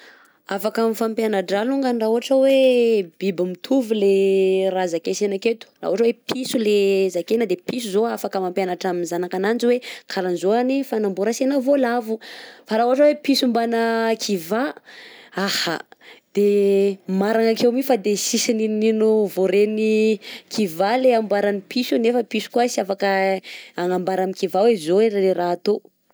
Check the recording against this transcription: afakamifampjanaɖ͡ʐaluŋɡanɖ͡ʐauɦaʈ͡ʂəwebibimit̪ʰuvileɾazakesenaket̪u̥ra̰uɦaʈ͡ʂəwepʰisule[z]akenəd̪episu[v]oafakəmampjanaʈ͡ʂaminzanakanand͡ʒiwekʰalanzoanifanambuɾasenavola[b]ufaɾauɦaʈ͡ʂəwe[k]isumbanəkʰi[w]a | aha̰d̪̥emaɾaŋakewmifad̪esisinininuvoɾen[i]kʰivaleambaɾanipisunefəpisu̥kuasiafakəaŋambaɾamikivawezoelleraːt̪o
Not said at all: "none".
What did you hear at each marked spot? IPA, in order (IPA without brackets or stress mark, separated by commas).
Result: z, z, v, p, v, i